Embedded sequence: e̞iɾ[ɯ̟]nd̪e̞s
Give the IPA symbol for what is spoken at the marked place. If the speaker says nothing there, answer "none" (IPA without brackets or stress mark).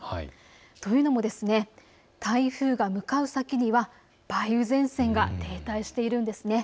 ɯ̟̃